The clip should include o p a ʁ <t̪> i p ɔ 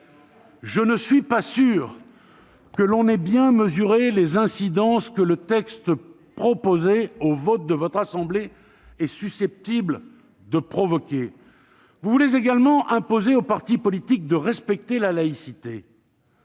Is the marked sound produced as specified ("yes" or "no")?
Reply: yes